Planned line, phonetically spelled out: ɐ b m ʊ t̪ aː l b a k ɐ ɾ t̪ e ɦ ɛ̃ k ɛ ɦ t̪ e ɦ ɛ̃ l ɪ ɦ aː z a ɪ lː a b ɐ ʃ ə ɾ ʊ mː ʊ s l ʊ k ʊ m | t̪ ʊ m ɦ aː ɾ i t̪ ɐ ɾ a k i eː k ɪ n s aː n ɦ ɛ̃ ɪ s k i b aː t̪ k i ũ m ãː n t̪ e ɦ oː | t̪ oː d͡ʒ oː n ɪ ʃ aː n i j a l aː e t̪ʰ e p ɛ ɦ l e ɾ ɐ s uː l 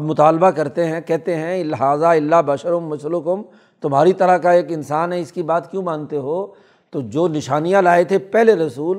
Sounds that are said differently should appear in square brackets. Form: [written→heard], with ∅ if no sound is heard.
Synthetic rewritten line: ɐ b m ʊ t̪ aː l b a k ɐ ɾ t̪ e ɦ ɛ̃ k ɛ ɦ t̪ e ɦ ɛ̃ l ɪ ɦ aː z a ɪ lː a b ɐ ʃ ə ɾ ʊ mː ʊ s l ʊ k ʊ m | t̪ ʊ m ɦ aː ɾ i t̪ ɐ ɾ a k [i→a] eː k ɪ n s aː n ɦ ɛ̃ ɪ s k i b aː t̪ k [i→j] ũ m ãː n t̪ e ɦ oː | t̪ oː d͡ʒ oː n ɪ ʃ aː n i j a l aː e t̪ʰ e p ɛ ɦ l e ɾ ɐ s uː l